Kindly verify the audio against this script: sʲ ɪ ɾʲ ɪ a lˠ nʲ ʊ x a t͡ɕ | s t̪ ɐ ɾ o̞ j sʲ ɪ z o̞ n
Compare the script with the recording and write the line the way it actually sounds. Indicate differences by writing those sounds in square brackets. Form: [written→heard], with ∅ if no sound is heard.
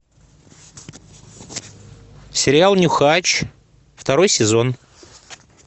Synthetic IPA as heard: sʲ ɪ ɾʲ ɪ a lˠ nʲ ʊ x a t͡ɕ | [s→f] t̪ ɐ ɾ o̞ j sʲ ɪ z o̞ n